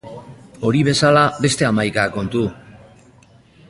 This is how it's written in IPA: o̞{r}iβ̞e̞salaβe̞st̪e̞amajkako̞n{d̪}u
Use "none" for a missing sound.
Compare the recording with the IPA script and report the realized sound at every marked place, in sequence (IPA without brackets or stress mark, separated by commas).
ɾ, t̪